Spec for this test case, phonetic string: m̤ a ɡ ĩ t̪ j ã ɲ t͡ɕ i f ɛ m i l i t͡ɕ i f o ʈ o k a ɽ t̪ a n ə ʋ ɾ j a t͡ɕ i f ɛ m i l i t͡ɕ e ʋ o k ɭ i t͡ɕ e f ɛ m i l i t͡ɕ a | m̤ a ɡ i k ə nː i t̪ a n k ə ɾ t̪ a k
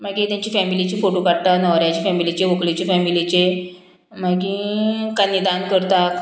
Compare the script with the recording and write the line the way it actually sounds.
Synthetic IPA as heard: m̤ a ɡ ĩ t̪ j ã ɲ t͡ɕ i f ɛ m i l i t͡ɕ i f o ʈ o k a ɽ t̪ a n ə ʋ ɾ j a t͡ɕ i f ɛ m i l i t͡ɕ e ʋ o k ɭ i t͡ɕ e f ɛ m i l i t͡ɕ e | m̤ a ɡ i k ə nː i d̪ a n k ə ɾ t̪ a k